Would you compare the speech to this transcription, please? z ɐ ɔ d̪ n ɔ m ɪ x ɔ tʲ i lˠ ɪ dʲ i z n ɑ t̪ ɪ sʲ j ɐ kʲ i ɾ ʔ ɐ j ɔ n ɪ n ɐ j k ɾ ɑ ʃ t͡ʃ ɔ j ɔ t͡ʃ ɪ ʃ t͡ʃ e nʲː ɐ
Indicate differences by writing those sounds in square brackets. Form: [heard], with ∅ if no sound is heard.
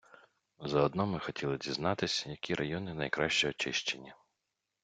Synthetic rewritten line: z ɐ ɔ d̪ n ɔ m ɪ x ɔ tʲ i lˠ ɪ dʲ i z n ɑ t̪ ɪ sʲ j ɐ kʲ i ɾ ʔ ɐ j ɔ n ɪ n ɐ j k ɾ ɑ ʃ t͡ʃ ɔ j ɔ t͡ʃ ɪ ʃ t͡ʃ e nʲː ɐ

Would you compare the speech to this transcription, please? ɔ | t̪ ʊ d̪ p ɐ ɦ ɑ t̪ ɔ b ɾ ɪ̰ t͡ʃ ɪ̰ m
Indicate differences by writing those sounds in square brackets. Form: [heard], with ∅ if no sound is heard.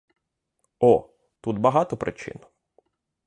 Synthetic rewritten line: ɔ | t̪ [u] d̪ [b] ɐ ɦ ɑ t̪ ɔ [p] ɾ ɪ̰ t͡ʃ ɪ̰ [n]

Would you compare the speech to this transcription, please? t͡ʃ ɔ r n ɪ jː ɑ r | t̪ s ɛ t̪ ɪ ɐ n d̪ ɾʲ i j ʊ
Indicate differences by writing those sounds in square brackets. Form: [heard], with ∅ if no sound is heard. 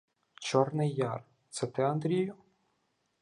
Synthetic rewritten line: t͡ʃ ɔ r n ɪ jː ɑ r | t̪ s ɛ t̪ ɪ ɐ n d̪ ɾʲ i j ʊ

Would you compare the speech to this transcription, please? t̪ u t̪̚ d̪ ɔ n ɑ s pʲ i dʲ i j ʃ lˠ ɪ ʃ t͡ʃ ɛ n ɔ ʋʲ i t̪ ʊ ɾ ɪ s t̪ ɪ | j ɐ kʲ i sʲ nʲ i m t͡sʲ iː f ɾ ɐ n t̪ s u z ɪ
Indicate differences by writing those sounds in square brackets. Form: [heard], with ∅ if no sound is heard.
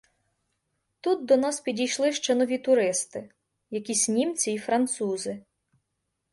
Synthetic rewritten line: t̪ u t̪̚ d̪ ɔ n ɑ s pʲ i dʲ i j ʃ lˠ ɪ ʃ t͡ʃ ɛ n ɔ ʋʲ i t̪ ʊ ɾ ɪ s t̪ ɪ | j ɐ kʲ i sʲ nʲ i m t͡sʲ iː f ɾ ɐ n t̪ s u z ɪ

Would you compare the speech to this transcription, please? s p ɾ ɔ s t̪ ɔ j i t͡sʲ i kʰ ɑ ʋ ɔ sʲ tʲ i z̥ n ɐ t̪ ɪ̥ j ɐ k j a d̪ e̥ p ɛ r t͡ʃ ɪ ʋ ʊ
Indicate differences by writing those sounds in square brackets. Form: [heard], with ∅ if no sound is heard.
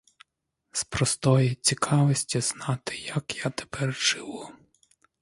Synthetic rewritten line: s p ɾ ɔ s t̪ ɔ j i t͡sʲ i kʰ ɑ ʋ ɔ sʲ tʲ i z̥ n [ɑ] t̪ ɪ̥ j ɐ k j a [t̪] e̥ p ɛ r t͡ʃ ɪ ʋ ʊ

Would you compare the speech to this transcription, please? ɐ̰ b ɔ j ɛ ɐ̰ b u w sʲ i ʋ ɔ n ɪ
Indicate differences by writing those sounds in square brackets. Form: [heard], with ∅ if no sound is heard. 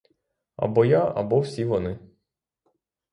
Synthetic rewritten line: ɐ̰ b ɔ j [a] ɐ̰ b [ɔ] w sʲ i ʋ ɔ n ɪ

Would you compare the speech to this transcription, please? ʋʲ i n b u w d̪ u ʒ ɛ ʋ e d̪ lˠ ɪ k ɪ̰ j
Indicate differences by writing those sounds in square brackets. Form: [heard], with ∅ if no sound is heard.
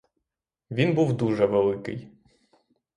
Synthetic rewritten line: ʋʲ i n b u w d̪ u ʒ ɛ ʋ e [∅] lˠ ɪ k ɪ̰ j

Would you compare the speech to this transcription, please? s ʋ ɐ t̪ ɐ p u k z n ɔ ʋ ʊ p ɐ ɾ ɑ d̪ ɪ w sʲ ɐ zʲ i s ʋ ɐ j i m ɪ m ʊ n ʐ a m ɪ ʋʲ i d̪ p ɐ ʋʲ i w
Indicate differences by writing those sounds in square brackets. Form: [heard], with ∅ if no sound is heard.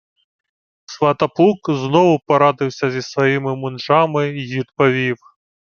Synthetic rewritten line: s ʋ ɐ t̪ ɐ p u k z n ɔ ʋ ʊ p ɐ ɾ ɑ d̪ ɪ w sʲ ɐ zʲ i s ʋ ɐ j i m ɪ m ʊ n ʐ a m ɪ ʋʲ i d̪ p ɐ ʋʲ i w

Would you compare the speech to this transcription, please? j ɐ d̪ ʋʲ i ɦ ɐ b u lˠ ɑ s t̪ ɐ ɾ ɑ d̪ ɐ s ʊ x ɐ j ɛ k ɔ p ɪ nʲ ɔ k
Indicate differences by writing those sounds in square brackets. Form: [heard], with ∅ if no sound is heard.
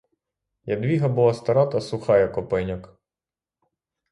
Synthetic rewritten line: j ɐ d̪ ʋʲ i ɦ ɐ b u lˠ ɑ s t̪ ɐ ɾ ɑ [t̪] ɐ s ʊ x [ɑ] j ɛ k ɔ p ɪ nʲ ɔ k

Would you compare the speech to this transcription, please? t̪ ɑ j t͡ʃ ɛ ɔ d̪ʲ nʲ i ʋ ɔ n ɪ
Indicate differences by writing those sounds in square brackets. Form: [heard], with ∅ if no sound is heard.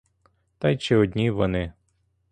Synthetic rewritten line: t̪ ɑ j t͡ʃ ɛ ɔ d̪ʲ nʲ i ʋ ɔ n ɪ

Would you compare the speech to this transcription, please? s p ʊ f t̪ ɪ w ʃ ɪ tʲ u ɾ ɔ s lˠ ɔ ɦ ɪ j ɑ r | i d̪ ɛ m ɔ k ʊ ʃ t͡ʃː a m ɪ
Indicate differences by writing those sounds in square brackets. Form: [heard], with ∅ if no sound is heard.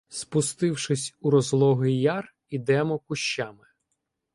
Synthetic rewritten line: s p ʊ [s] t̪ ɪ w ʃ ɪ [sʲ] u ɾ ɔ [z] lˠ ɔ ɦ ɪ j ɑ r | i d̪ ɛ m ɔ k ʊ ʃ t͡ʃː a m ɪ

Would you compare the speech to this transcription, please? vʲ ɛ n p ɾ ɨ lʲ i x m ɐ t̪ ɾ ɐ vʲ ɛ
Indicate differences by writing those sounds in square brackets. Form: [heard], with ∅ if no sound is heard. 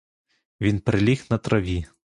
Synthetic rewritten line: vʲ [i] n p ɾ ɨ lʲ i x [n] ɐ t̪ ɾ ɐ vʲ [i]

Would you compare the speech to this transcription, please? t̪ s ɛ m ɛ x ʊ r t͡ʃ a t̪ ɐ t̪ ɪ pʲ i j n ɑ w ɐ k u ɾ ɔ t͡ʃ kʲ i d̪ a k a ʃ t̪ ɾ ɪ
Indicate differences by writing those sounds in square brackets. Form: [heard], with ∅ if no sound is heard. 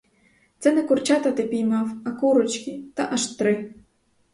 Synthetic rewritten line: t̪ s ɛ [n] ɛ [k] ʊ r t͡ʃ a t̪ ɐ t̪ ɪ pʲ i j [m] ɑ w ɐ k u ɾ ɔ t͡ʃ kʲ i [t̪] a [ʔ] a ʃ t̪ ɾ ɪ

